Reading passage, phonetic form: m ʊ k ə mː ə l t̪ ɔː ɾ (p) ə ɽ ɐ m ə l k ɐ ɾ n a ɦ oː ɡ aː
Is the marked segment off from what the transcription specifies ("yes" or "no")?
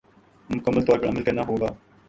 no